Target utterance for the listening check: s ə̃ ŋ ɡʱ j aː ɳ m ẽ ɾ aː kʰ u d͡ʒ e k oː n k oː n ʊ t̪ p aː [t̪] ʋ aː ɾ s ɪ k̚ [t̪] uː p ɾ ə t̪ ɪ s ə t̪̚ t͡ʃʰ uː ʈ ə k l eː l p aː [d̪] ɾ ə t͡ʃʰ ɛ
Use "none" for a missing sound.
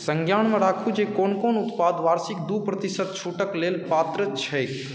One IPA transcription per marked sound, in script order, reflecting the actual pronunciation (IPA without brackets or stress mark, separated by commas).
d̪, d̪, t̪